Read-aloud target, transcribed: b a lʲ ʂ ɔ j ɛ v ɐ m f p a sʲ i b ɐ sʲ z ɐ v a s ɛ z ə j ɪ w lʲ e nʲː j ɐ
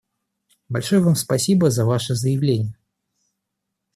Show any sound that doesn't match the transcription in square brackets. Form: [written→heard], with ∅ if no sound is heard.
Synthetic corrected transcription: b a lʲ ʂ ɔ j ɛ v [ɐ→a] m [f→s] p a sʲ i b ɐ [sʲ→∅] z ɐ v a [s→ʂ] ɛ z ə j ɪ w lʲ e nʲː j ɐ